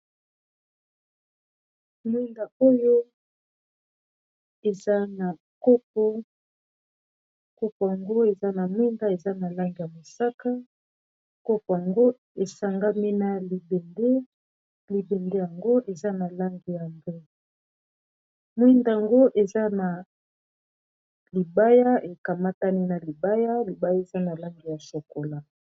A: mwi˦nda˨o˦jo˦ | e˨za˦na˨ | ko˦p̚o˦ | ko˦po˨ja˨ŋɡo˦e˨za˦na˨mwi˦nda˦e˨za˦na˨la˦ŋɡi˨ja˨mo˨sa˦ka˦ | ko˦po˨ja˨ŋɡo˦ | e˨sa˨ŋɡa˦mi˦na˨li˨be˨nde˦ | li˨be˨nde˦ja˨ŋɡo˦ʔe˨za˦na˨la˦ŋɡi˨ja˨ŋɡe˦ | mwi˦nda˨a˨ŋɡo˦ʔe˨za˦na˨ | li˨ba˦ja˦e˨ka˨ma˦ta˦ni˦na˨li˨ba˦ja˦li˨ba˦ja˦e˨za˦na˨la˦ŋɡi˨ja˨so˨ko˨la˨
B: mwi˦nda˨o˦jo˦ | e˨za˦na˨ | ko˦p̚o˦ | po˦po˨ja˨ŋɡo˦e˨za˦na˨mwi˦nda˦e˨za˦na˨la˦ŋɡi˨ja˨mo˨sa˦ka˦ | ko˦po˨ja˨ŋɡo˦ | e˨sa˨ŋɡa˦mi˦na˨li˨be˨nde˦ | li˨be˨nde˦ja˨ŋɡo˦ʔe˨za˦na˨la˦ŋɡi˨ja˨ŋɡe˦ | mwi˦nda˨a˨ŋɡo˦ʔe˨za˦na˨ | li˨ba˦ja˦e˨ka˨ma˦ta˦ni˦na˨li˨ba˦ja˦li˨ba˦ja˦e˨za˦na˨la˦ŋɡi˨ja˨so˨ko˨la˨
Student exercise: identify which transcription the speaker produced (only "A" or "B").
A